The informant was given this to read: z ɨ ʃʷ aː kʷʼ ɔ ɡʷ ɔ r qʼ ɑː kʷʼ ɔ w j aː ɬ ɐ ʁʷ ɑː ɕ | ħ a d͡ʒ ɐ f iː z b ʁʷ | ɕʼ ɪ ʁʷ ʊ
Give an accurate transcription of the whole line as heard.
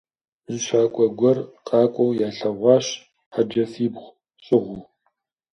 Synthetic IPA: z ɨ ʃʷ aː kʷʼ ɔ ɡʷ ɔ r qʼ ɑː kʷʼ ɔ w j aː ɬ ɐ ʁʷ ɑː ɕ | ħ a d͡ʒ ɐ f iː b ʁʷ | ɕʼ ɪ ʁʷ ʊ